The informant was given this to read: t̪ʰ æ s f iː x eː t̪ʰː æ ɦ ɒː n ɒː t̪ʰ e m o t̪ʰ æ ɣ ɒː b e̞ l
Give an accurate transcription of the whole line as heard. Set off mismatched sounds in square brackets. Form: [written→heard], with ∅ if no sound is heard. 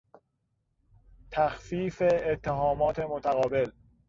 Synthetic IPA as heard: t̪ʰ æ [s→x] f iː [x→f] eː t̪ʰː [æ→e] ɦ ɒː [n→m] ɒː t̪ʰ e m o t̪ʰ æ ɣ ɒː b e̞ l